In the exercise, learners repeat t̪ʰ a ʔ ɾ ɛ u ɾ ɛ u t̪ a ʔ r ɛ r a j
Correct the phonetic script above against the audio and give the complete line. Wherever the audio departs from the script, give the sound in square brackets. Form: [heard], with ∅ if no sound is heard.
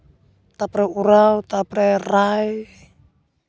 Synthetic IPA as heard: [t̪] a [p] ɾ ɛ u ɾ [a] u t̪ a [p] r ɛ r a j